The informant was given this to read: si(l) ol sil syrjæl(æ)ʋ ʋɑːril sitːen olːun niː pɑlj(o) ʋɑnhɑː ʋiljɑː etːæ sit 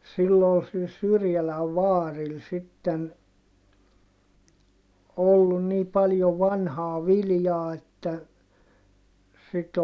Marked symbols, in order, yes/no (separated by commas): no, yes, yes